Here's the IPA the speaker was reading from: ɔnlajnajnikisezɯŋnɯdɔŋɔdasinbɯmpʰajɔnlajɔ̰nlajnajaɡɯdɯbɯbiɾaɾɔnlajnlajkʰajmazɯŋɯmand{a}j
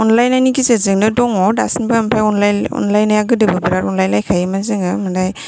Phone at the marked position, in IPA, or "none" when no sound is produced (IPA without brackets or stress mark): a